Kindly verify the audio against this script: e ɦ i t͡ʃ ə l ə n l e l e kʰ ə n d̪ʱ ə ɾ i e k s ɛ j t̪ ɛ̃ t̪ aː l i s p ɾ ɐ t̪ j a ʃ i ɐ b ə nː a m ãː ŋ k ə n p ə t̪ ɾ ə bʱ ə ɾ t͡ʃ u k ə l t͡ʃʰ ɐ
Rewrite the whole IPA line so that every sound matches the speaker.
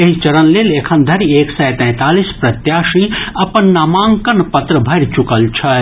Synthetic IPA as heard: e ɦ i t͡ʃ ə ɾ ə n l e l e kʰ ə n d̪ʱ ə ɾ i e k s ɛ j t̪ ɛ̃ t̪ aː l i s p ɾ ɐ t̪ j a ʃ i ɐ p ə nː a m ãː ŋ k ə n p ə t̪ ɾ ə bʱ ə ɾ t͡ʃ u k ə l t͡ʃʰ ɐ